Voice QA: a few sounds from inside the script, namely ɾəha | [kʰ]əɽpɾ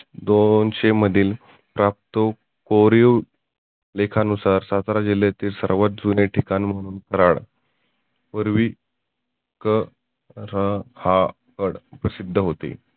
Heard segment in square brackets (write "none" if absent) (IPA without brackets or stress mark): k